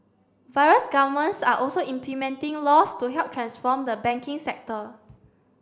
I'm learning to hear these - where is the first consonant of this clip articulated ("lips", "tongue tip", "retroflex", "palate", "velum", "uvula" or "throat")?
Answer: lips